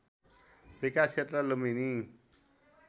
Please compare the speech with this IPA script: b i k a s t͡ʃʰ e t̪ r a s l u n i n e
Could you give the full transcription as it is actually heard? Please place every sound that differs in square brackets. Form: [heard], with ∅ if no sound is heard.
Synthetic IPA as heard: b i k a s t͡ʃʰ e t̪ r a [∅] l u [m] i n [i]

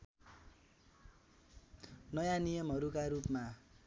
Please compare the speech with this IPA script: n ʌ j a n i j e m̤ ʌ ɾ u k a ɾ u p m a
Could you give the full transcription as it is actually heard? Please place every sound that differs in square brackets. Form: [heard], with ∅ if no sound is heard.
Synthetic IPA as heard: n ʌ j a n i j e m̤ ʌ ɾ u k a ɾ u p m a

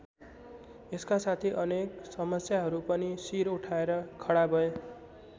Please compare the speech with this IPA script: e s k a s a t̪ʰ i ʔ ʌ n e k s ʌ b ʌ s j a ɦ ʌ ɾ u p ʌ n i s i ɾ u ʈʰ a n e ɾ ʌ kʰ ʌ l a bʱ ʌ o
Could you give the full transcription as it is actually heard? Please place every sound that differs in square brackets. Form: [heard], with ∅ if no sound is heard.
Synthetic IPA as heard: e s k a s a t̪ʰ i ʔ ʌ n e k s ʌ [m] ʌ s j a ɦ ʌ ɾ u p ʌ n i s i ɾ u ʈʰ a [∅] e ɾ ʌ kʰ ʌ [ɽ] a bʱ ʌ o

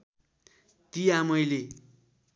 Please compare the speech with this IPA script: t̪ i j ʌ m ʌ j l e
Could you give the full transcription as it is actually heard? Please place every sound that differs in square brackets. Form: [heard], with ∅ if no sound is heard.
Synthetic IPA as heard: t̪ i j [a] m ʌ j l e

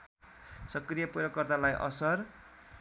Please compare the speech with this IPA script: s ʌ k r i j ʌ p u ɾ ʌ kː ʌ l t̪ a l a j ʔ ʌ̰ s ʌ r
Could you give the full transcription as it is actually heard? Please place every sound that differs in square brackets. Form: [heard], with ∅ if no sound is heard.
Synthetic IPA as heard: s ʌ k r i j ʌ p u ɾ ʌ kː ʌ [r] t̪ a l a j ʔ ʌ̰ s ʌ r

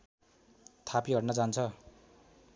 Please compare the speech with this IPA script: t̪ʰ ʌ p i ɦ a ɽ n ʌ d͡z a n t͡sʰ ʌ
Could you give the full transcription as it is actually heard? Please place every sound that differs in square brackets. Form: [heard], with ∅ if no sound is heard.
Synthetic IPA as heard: t̪ʰ [a] p i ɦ [ʌ] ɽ n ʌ d͡z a n t͡sʰ ʌ

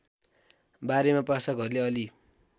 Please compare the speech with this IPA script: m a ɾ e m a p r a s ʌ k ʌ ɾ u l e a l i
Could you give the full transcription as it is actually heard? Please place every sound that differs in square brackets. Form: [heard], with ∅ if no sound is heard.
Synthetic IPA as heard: [b] a ɾ e m a p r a s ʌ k ʌ ɾ u l e [ʌ] l i

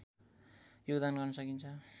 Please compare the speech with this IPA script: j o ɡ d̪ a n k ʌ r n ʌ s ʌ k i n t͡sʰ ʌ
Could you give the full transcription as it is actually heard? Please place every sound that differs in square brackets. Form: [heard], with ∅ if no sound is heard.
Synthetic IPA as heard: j o ɡ d̪ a n [ɡ] ʌ r n ʌ s ʌ k i n t͡sʰ ʌ

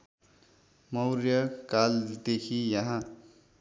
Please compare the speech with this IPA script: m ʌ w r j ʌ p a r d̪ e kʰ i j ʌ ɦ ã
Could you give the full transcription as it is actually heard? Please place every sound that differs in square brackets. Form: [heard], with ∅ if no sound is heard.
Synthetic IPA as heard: m ʌ w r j ʌ [k] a [l] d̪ e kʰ i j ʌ ɦ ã

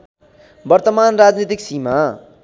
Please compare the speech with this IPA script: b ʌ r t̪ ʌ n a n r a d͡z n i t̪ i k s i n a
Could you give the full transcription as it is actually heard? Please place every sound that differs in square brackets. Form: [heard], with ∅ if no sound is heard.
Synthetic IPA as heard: b ʌ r t̪ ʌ [m] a n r a d͡z n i t̪ i k s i [m] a

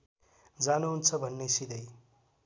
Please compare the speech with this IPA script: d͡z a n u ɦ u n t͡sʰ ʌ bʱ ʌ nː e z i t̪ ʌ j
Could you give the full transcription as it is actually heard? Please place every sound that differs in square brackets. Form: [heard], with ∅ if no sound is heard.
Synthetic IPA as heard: d͡z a n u ɦ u n t͡sʰ ʌ bʱ ʌ nː e [s] i [d̪] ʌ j

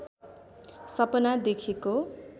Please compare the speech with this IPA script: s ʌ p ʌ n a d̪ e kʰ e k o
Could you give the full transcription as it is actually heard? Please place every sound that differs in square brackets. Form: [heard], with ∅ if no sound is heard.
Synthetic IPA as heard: s ʌ p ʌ n a d̪ e kʰ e k o

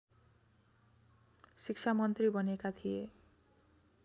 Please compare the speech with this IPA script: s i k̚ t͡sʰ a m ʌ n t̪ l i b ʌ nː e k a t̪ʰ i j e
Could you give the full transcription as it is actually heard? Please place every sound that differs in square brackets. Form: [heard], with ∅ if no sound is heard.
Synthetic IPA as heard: s i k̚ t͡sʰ a m ʌ n t̪ [r] i b ʌ [n] e k a t̪ʰ i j e

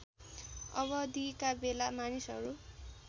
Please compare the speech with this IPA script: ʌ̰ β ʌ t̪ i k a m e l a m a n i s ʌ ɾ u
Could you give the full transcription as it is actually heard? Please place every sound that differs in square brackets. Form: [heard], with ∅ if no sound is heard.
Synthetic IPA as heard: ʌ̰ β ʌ [d̪] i k a [b] e l a m a n i s ʌ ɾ u

